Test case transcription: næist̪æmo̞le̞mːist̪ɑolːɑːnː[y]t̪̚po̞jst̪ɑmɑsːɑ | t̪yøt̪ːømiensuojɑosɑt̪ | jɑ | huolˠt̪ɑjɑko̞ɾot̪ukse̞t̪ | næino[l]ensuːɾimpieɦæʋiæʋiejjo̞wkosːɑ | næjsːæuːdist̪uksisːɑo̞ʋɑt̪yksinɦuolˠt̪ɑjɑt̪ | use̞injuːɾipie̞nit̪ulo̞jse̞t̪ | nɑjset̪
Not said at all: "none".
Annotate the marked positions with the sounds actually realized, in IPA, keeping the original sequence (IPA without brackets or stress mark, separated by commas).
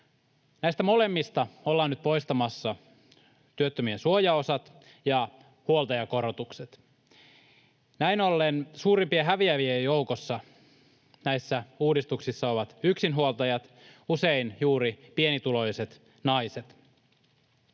y, lː